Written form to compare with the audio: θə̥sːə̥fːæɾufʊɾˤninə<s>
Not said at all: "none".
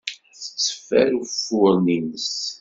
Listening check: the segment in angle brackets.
s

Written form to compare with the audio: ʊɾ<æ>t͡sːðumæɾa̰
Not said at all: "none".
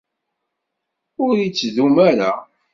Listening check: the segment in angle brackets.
i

